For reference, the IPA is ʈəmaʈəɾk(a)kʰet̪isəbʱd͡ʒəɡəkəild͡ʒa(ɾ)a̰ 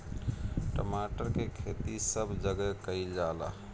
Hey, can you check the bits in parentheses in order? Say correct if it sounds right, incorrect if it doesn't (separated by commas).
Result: incorrect, incorrect